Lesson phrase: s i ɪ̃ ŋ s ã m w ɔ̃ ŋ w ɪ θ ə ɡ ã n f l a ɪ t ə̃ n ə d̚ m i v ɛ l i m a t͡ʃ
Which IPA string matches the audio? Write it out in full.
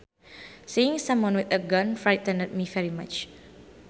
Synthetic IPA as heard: s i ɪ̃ ŋ s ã m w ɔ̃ n w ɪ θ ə ɡ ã n f ɹ a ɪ t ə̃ n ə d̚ m i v ɛ ɹ i m a t͡ʃ